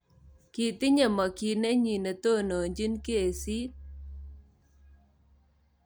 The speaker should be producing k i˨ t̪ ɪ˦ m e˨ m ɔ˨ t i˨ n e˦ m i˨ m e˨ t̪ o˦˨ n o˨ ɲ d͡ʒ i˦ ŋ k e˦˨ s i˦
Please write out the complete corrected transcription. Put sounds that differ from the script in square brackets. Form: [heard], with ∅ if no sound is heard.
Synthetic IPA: k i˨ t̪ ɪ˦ [ɲ] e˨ m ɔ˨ [k] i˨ n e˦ [ɲ] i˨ [n] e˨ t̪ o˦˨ n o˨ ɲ d͡ʒ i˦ [n] k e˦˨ s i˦